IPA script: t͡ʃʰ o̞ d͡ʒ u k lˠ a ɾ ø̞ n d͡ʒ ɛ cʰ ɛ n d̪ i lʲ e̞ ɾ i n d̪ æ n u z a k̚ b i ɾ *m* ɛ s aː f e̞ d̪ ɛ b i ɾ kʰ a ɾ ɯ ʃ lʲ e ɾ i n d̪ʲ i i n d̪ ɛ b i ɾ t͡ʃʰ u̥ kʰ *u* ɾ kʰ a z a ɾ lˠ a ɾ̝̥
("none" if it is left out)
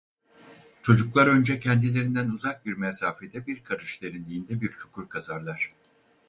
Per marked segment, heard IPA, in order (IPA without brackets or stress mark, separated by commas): m, u